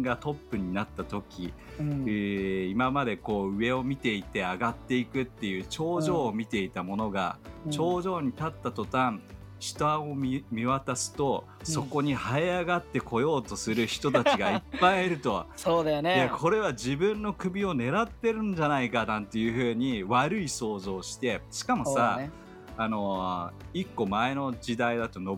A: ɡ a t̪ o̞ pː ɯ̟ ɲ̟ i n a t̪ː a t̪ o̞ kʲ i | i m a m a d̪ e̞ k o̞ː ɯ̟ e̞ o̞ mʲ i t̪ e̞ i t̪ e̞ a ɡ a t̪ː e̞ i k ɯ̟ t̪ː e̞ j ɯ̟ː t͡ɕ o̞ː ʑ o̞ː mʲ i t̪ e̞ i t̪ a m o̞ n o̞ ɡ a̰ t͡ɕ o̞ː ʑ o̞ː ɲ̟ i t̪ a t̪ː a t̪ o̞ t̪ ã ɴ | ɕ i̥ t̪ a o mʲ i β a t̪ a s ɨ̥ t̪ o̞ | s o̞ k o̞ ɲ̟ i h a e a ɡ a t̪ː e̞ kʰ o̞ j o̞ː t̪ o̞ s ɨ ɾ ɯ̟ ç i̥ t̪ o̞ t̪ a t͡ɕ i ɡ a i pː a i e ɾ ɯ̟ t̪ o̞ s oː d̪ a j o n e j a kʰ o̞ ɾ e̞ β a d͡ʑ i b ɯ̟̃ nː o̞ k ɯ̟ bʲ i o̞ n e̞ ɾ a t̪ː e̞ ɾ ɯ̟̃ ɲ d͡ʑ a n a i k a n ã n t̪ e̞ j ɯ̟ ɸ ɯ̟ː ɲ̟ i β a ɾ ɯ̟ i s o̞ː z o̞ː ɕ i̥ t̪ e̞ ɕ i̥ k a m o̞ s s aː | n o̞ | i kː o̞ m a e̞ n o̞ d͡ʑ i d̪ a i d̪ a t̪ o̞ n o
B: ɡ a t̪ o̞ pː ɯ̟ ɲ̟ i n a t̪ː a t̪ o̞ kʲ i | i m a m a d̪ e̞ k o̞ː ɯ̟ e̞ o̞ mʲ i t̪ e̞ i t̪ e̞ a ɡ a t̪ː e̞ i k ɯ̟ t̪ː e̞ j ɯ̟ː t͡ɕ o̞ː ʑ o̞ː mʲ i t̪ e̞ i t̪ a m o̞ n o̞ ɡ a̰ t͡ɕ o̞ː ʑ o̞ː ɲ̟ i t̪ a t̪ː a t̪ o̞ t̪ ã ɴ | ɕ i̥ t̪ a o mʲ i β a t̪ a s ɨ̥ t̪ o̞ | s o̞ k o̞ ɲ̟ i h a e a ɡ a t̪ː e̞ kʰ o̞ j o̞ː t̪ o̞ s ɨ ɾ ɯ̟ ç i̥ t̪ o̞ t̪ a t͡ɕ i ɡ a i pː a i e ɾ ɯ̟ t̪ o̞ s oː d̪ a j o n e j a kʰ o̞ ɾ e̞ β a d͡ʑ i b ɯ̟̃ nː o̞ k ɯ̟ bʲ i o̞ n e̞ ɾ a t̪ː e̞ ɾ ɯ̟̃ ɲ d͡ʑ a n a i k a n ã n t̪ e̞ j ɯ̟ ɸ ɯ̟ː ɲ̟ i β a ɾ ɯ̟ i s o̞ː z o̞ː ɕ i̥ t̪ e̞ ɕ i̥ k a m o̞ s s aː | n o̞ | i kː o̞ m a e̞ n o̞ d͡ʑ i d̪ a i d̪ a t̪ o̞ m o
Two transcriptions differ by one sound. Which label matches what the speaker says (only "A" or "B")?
A